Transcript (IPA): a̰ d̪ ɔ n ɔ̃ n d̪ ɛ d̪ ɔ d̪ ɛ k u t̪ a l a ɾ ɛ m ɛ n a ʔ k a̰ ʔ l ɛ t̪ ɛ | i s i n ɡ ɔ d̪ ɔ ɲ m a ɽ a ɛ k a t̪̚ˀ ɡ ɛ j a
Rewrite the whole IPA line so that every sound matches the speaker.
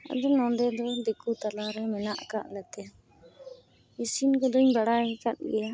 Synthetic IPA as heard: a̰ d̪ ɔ n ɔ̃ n d̪ ɛ d̪ ɔ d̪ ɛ k u t̪ a l a ɾ ɛ m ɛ n a ʔ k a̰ ʔ l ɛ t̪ ɛ | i s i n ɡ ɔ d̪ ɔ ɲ b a ɽ a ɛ k a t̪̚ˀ ɡ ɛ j a